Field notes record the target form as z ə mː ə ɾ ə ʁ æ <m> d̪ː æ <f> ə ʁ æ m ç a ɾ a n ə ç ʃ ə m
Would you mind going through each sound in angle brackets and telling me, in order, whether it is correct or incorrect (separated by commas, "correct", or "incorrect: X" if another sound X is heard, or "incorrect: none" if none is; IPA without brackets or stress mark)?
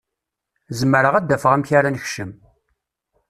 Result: incorrect: none, correct